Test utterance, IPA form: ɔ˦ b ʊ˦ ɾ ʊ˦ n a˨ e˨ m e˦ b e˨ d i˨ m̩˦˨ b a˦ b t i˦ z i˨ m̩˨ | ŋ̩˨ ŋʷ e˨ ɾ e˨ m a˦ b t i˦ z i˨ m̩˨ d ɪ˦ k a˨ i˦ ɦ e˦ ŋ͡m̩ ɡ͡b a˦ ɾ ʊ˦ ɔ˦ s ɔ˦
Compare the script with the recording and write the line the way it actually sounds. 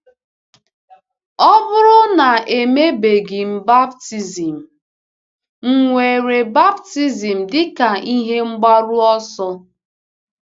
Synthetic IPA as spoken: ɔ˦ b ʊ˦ ɾ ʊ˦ n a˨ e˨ m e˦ b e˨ ɡ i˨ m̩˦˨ b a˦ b t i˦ z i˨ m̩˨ | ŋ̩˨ ŋʷ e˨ ɾ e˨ b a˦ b t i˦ z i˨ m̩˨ d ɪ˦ k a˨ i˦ ɦ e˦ ŋ͡m̩ ɡ͡b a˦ ɾ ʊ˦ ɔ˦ s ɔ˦

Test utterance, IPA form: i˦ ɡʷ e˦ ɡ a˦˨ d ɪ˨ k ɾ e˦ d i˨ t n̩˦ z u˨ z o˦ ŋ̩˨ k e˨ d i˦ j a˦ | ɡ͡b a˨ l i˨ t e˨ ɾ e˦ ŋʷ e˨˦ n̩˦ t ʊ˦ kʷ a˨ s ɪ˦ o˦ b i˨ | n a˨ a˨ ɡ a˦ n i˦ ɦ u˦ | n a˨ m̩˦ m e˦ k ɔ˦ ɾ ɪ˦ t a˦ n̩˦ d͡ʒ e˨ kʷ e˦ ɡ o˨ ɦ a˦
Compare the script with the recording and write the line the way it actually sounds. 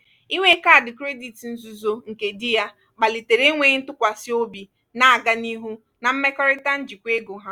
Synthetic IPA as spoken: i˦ ŋʷ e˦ k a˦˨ d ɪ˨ k ɾ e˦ d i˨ t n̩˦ z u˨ z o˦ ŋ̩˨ k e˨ d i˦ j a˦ | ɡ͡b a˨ l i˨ t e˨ ɾ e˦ ŋʷ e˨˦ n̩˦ t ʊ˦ kʷ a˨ s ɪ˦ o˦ b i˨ | n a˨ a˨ ɡ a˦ n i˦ ɦ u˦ | n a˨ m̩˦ m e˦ k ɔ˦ ɾ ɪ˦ t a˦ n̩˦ d͡ʒ i˨ kʷ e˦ ɡ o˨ ɦ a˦

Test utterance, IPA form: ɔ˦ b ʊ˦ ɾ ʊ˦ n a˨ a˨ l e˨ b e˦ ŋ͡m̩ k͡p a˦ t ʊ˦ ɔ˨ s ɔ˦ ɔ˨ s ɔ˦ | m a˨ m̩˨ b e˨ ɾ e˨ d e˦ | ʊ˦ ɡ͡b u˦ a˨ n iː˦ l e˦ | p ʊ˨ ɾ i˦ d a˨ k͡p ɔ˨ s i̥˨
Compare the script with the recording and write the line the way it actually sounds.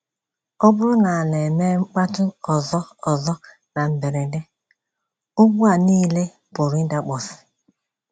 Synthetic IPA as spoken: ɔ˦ b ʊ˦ ɾ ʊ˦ n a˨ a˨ l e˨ m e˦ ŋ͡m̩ k͡p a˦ t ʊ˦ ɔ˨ z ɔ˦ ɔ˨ z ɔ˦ | n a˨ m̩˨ b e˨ ɾ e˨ d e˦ | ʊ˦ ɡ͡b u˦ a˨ n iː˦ l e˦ | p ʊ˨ ɾ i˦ d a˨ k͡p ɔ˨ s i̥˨

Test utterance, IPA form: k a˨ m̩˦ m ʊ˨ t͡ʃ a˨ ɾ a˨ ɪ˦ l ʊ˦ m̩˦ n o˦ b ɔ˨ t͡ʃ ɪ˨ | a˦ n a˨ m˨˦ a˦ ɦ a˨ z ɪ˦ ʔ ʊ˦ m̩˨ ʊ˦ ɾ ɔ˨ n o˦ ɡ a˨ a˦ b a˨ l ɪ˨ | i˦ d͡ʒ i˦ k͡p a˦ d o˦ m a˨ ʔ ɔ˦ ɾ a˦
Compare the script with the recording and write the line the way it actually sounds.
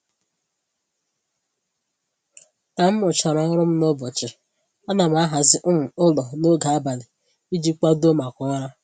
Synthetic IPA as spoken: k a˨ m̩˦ m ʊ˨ t͡ʃ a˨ ɾ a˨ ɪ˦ ɾ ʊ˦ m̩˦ n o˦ b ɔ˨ t͡ʃ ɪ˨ | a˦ n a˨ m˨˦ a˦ ɦ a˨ z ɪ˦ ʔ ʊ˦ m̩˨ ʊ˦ l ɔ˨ n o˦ ɡ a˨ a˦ b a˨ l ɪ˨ | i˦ d͡ʒ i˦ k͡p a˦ d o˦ m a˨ k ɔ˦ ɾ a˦

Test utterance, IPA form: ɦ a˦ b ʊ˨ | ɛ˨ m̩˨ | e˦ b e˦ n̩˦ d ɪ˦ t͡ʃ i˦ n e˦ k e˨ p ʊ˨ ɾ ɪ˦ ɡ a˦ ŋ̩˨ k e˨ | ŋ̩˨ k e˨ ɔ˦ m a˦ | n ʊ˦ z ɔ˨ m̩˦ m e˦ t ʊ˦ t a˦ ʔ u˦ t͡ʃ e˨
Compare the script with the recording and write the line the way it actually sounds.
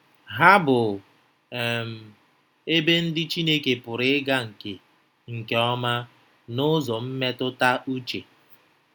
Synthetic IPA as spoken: ɦ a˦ b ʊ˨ | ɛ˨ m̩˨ | e˦ b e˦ n̩˦ d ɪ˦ t͡ʃ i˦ n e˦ k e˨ p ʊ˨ ɾ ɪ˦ ɡ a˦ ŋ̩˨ k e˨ | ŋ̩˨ k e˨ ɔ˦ m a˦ | n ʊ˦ z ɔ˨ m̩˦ m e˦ t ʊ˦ t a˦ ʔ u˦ t͡ʃ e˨

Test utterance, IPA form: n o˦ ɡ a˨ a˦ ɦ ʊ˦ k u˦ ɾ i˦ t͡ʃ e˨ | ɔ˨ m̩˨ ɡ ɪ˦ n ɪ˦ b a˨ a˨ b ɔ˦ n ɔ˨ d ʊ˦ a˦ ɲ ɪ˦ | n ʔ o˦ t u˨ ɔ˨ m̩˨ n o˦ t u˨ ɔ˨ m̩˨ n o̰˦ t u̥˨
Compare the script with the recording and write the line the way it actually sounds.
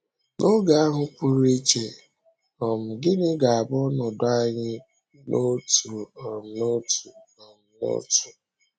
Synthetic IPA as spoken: n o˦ ɡ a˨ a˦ ɦ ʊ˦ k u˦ ɾ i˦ t͡ʃ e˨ | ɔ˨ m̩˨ ɡ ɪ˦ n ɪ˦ ɡ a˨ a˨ b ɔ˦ n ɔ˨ d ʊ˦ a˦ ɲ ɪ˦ | n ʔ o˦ t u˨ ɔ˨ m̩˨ n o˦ t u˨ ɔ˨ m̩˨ n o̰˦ t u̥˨

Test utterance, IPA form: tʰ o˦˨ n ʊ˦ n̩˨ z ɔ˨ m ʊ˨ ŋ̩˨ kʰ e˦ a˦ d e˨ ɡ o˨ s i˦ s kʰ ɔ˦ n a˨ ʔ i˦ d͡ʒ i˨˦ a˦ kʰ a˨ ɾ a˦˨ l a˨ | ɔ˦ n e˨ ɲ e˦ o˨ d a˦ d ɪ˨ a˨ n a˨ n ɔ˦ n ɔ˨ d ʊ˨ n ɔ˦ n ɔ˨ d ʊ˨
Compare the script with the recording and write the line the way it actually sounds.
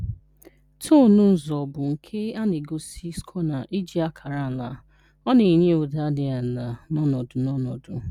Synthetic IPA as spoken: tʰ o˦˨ n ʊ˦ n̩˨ z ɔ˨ b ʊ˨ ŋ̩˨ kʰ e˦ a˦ n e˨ ɡ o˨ s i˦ s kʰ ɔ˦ n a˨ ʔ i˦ d͡ʒ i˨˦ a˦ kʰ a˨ ɾ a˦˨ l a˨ | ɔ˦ n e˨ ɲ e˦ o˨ d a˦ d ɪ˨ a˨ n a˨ n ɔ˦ n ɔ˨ d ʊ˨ n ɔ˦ n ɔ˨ d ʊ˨

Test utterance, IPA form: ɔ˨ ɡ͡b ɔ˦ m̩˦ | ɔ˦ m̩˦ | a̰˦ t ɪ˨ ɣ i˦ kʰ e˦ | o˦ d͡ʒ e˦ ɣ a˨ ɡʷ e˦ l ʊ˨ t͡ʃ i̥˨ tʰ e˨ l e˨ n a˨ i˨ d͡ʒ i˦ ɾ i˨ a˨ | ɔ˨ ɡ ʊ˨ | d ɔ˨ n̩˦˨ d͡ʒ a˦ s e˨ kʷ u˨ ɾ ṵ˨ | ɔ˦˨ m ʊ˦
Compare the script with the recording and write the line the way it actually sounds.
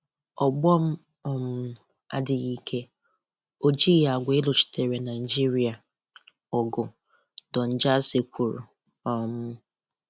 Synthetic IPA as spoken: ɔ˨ ɡ͡b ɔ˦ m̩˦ | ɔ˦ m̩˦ | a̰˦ d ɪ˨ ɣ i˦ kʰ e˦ | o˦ d͡ʒ i˦ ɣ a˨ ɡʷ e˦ l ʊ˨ t͡ʃ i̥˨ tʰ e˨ ɾ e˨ n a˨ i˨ d͡ʒ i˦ ɾ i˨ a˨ | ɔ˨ ɡ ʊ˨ | d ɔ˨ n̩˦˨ d͡ʒ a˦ s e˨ kʷ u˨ ɾ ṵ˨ | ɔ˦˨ m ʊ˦

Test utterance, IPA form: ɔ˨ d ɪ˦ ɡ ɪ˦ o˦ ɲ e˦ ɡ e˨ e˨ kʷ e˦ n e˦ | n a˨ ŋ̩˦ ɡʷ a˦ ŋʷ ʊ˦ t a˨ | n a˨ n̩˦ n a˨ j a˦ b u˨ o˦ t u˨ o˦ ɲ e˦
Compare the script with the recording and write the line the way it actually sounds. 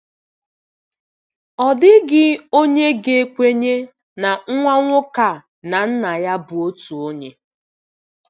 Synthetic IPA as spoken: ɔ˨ d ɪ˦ ɡ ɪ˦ o˦ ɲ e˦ ɡ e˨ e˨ kʷ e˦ ɲ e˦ | n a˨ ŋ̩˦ ŋʷ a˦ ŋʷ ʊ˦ k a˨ | n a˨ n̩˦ n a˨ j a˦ b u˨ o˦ t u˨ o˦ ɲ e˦

